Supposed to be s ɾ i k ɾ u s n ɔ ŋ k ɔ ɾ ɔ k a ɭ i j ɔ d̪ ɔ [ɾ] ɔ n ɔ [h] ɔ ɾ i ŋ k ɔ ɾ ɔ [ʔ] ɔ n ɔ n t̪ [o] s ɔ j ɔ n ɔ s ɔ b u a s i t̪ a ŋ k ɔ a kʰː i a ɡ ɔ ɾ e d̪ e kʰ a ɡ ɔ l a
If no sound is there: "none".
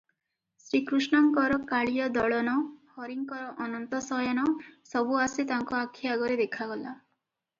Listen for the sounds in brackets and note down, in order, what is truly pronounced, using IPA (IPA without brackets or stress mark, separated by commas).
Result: ɭ, h, ʔ, ɔ